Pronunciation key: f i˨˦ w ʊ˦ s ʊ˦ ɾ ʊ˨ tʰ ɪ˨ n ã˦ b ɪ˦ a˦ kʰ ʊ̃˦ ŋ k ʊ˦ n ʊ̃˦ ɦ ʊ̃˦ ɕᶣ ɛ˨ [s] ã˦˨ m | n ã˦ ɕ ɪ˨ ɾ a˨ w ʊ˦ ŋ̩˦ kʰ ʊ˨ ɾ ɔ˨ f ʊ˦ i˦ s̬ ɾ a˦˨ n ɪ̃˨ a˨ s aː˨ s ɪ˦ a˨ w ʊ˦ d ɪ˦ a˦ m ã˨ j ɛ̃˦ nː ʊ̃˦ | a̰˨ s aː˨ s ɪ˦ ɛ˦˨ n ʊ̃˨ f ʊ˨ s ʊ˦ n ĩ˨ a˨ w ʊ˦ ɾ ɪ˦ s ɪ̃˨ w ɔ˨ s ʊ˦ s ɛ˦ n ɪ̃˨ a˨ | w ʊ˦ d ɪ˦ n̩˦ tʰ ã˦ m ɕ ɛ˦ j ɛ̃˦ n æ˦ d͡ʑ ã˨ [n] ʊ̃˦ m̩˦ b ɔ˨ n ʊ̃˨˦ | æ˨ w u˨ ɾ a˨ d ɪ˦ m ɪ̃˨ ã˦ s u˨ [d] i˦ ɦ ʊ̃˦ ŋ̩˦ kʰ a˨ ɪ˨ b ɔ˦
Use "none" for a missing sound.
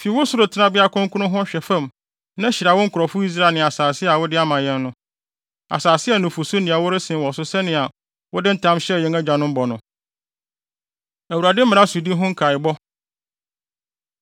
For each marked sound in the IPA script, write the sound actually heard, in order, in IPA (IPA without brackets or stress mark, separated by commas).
f, n, d